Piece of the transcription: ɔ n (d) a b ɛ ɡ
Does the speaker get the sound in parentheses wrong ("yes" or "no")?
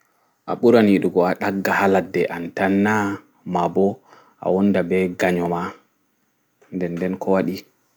no